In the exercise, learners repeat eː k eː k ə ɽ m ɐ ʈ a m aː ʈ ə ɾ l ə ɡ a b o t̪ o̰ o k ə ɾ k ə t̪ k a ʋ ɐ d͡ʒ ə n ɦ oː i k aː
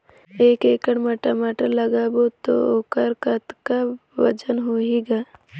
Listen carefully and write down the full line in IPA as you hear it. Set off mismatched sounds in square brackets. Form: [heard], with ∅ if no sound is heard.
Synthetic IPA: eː k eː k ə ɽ m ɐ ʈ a m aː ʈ ə ɾ l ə ɡ a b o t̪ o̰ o k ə ɾ k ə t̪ k a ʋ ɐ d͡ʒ ə n ɦ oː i [ɡ] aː